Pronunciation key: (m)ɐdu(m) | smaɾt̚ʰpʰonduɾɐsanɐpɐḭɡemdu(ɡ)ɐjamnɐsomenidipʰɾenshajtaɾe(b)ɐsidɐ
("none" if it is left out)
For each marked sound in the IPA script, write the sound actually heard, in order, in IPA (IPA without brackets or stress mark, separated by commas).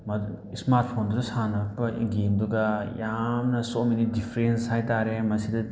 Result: m, none, ɡ, m